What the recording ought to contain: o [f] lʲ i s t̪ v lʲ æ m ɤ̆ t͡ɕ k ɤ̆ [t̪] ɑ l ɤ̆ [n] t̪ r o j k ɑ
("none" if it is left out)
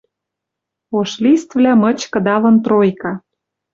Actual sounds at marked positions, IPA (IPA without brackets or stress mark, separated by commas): ʃ, d̪, n